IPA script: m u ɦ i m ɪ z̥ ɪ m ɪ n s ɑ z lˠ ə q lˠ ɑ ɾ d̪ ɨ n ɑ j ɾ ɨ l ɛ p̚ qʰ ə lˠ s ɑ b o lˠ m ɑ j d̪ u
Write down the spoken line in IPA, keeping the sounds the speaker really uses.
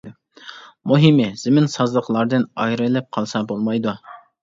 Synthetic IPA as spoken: m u ɦ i m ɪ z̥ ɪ m ɪ n s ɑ z lˠ ə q lˠ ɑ ɾ d̪ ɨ n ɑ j ɾ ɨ l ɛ p̚ qʰ ɑ lˠ s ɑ b o lˠ m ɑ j d̪ u

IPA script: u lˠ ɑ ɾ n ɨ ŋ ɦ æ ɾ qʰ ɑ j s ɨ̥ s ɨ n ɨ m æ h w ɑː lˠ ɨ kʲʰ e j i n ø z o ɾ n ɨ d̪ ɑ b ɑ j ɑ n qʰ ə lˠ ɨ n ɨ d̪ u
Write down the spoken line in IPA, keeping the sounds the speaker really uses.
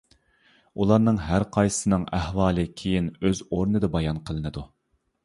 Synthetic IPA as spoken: u lˠ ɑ ɾ n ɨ ŋ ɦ æ ɾ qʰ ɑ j s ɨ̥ s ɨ n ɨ ŋ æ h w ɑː lˠ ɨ kʲʰ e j i n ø z o ɾ n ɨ d̪ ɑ b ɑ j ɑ n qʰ ə lˠ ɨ n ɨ d̪ u

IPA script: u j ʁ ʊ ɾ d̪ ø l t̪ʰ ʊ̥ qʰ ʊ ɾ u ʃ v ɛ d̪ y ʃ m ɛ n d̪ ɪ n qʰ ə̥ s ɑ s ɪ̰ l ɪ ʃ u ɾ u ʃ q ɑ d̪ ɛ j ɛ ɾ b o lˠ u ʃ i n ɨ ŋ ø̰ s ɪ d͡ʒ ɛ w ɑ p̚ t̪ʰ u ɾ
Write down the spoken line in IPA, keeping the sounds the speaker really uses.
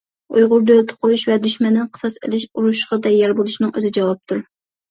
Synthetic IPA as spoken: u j ʁ ʊ ɾ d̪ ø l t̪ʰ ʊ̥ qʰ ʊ ɾ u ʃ v ɛ d̪ y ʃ m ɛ n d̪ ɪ n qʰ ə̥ s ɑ s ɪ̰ l ɪ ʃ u ɾ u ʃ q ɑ d̪ ɛ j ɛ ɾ b o lˠ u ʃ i n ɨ ŋ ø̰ z ɪ d͡ʒ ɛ w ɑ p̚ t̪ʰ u ɾ

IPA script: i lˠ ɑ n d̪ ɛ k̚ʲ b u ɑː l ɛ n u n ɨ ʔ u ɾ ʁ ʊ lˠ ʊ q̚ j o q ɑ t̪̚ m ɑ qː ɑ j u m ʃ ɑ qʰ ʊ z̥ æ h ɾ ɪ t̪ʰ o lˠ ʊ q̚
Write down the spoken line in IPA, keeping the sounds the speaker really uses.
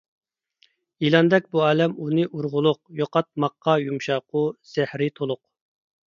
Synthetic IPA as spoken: i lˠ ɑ n d̪ ɛ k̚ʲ b u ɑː l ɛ m u n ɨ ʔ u ɾ ʁ ʊ lˠ ʊ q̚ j o q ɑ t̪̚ m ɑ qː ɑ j u m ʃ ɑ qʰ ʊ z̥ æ h ɾ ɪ t̪ʰ o lˠ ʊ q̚

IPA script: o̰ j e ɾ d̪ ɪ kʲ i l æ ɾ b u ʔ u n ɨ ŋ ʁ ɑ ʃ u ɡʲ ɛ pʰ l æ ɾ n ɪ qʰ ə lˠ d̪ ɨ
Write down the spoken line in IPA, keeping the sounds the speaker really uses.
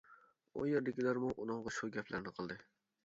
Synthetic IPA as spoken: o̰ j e ɾ d̪ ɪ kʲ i l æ ɾ m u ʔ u n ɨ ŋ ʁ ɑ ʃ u ɡʲ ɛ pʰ l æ ɾ n ɪ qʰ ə lˠ d̪ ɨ

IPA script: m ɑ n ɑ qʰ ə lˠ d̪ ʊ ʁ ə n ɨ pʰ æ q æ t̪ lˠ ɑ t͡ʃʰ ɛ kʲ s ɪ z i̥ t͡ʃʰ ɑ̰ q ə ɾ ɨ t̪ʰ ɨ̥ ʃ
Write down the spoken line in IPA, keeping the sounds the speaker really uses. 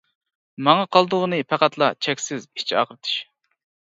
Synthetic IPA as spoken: m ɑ ŋ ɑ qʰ ɑ lˠ d̪ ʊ ʁ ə n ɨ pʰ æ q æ t̪ lˠ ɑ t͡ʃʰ ɛ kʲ s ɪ z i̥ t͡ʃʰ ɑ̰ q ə ɾ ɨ t̪ʰ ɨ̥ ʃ

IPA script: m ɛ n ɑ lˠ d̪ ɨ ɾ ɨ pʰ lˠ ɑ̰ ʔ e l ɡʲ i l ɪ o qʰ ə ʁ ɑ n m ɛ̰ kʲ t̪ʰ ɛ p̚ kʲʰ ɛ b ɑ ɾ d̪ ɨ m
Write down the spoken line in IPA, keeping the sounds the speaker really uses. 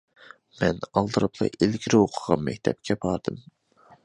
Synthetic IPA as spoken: m ɛ n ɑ lˠ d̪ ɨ ɾ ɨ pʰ lˠ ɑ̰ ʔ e l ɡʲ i ɾ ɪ o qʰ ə ʁ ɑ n m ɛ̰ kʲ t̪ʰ ɛ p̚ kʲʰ ɛ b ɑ ɾ d̪ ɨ m

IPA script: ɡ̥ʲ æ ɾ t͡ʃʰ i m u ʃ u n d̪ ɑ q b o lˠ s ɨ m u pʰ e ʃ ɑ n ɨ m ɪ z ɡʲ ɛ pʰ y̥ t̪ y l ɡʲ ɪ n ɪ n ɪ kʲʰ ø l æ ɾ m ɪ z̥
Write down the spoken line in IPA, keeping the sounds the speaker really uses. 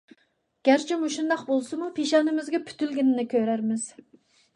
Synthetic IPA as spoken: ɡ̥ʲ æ ɾ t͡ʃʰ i m u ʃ u n d̪ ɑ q b o lˠ s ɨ m u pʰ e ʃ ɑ n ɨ m ɪ z ɡʲ ɛ pʰ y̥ t̪ y l ɡʲ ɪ n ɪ n ɪ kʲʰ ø ɾ æ ɾ m ɪ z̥

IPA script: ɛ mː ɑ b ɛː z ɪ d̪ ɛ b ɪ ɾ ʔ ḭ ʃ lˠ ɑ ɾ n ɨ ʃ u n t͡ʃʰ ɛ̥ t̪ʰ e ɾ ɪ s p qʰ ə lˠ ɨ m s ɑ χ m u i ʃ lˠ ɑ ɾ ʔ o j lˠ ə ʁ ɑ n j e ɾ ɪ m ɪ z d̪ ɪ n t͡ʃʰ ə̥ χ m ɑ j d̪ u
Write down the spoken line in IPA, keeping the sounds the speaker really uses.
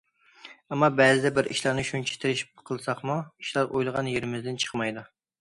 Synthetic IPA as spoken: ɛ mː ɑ b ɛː z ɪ d̪ ɛ b ɪ ɾ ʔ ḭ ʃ lˠ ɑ ɾ n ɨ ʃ u n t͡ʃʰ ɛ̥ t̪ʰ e ɾ ɪ ʃ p qʰ ə lˠ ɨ s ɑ χ m u i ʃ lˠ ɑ ɾ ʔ o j lˠ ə ʁ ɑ n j e ɾ ɪ m ɪ z d̪ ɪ n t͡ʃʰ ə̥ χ m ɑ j d̪ u

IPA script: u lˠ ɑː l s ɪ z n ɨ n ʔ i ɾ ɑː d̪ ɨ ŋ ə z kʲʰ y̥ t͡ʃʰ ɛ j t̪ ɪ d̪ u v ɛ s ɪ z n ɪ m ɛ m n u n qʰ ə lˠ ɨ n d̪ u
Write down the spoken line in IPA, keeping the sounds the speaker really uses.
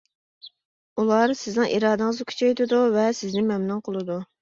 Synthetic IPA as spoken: u lˠ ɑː ɾ s ɪ z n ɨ ŋ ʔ i ɾ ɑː d̪ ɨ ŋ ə z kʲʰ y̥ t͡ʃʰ ɛ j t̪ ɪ d̪ u v ɛ s ɪ z n ɪ m ɛ m n u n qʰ ə lˠ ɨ d̪ u

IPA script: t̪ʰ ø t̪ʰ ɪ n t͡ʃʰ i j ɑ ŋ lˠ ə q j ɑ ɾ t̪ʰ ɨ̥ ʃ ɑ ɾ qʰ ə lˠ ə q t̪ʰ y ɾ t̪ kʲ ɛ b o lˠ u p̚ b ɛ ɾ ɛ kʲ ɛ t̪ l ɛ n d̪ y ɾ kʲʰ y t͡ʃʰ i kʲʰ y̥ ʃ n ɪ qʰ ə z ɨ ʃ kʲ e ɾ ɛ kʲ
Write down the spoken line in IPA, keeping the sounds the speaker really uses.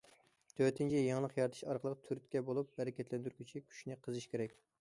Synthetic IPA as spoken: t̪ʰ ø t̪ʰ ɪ n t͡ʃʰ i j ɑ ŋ lˠ ə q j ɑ ɾ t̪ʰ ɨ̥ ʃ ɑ ɾ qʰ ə lˠ ə q t̪ʰ y ɾ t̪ kʲ ɛ b o lˠ u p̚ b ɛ ɾ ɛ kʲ ɛ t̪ l ɛ n d̪ y ɾ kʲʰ y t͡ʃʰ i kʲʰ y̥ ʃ n ɪ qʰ ə z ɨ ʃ kʲ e ɾ ɛ kʲ

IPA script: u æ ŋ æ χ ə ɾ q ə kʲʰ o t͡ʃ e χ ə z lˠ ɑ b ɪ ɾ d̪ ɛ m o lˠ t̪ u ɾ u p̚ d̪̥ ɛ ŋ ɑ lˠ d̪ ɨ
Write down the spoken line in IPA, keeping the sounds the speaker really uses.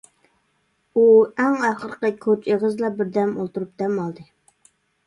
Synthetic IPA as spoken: u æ ŋ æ χ ə ɾ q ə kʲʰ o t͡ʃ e ʁ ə z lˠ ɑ b ɪ ɾ d̪ ɛ m o lˠ t̪ u ɾ u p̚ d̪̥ ɛ m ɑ lˠ d̪ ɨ

